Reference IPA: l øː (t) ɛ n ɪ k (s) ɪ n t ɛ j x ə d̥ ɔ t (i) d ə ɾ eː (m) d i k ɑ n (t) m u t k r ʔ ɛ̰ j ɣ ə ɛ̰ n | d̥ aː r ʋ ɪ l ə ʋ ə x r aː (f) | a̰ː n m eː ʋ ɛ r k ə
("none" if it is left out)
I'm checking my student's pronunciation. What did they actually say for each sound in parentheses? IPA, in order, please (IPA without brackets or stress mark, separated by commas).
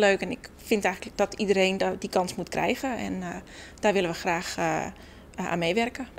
k, f, i, n, s, x